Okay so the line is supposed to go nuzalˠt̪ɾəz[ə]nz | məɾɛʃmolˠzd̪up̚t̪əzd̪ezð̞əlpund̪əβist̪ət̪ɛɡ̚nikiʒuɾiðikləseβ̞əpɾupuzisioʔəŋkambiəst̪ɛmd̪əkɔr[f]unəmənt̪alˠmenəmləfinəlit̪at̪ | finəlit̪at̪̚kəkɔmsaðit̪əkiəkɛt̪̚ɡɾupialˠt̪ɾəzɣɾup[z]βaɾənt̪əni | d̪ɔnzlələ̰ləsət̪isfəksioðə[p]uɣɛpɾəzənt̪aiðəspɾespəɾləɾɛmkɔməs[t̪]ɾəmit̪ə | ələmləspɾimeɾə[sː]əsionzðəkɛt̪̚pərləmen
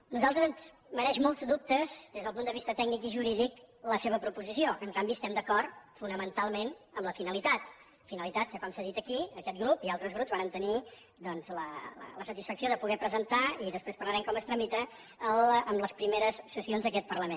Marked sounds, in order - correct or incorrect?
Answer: correct, correct, correct, correct, correct, correct

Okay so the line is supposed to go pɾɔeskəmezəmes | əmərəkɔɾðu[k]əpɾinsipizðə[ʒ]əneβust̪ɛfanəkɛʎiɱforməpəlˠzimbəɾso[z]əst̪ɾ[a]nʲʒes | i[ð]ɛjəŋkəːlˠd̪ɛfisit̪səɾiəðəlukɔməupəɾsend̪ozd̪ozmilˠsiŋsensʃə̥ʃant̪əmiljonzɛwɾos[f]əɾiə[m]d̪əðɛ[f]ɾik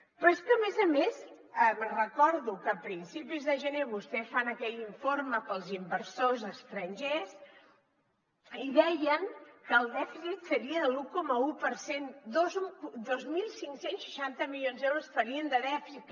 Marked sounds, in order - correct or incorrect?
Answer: correct, correct, correct, incorrect: ə, correct, correct, incorrect: n, correct

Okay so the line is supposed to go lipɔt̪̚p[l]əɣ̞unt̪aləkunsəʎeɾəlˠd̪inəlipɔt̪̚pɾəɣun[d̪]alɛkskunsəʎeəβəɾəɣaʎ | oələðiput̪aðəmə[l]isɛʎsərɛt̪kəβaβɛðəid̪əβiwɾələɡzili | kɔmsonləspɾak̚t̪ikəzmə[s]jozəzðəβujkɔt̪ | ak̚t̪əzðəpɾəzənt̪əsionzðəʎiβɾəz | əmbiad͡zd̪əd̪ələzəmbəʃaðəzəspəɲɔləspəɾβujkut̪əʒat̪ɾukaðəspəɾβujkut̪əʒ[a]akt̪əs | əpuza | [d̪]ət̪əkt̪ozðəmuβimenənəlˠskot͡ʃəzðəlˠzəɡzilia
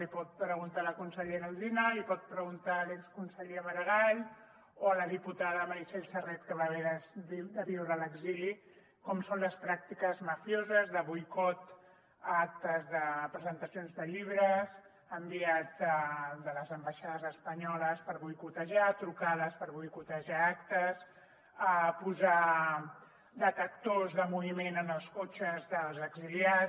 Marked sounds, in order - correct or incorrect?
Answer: incorrect: ɾ, incorrect: t̪, incorrect: ɾ, incorrect: f, correct, correct

